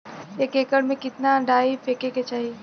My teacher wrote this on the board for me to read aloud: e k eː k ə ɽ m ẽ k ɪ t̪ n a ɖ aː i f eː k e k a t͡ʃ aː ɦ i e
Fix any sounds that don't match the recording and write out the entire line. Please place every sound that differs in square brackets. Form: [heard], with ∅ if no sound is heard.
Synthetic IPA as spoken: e k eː k ə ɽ m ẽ k ɪ t̪ n a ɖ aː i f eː k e k [e] t͡ʃ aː ɦ i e